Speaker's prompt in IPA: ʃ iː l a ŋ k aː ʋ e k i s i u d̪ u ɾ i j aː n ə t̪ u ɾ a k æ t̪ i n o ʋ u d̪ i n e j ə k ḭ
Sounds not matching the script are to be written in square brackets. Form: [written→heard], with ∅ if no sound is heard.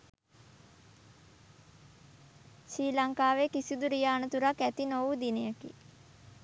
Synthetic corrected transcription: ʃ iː l a ŋ k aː ʋ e k i s i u d̪ u ɾ i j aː n ə t̪ u ɾ a k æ t̪ i n o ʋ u d̪ i n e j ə k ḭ

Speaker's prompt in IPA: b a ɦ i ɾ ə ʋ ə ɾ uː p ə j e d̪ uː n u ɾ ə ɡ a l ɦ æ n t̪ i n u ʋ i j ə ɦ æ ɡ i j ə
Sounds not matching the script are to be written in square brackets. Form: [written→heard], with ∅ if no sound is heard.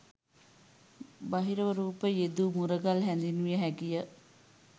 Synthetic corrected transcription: b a ɦ i ɾ ə ʋ ə ɾ uː p ə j e d̪ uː [n→m] u ɾ ə ɡ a l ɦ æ n [t̪→d̪] i n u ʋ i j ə ɦ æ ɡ i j ə

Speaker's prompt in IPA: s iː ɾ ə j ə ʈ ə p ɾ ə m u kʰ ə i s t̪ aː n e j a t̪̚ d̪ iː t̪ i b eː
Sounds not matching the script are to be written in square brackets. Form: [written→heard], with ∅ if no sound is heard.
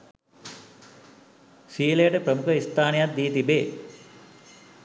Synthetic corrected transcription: s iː [ɾ→l] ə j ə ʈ ə p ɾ ə m u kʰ ə i s t̪ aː n e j a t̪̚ d̪ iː t̪ i b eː

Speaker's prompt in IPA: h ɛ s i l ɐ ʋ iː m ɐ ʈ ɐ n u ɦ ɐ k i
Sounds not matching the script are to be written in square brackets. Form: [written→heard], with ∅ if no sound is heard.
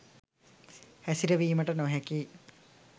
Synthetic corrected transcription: h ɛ s i [l→ɾ] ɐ ʋ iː m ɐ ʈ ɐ n [u→o] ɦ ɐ k i

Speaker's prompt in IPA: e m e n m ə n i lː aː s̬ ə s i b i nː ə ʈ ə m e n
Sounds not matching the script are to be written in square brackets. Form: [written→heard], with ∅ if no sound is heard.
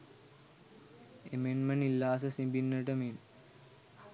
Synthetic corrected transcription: e m e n m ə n i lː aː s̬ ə s i b i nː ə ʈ ə m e n

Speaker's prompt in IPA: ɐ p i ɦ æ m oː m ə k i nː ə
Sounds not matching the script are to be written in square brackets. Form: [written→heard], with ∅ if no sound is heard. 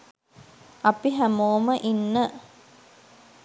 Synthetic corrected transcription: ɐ p i ɦ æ m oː m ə [k→ʔ] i nː ə

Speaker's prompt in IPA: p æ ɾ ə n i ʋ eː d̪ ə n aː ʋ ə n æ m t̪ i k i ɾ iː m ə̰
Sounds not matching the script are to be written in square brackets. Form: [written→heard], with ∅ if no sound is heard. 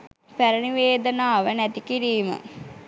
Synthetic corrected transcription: p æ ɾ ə n i ʋ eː d̪ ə n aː ʋ ə n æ [m→∅] t̪ i k i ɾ iː m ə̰

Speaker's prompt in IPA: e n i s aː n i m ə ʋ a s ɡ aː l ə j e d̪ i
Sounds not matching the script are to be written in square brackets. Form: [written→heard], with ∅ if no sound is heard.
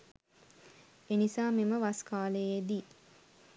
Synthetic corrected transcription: e n i s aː [n→m] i m ə ʋ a s [ɡ→k] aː l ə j e d̪ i

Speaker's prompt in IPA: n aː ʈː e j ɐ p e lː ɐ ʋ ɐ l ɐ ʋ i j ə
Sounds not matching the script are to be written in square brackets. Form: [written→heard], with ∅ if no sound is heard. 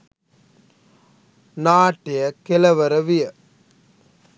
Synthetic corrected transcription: n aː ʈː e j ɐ [p→k] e [lː→l] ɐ ʋ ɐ [l→ɾ] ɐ ʋ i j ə

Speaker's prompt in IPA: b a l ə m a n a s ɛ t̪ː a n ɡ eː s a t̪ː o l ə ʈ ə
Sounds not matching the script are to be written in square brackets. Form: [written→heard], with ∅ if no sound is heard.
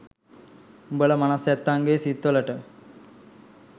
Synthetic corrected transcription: b [a→ə] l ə m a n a s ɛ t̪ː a [n→ŋ] ɡ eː s [a→i] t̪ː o l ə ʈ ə

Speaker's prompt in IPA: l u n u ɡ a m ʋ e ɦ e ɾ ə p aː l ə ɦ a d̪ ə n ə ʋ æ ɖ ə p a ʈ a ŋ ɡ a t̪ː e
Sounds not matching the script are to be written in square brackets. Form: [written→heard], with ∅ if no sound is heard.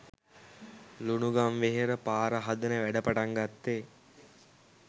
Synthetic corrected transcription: l u n u ɡ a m ʋ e ɦ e ɾ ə p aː [l→ɾ] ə ɦ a d̪ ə n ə ʋ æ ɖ ə p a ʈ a ŋ ɡ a t̪ː e

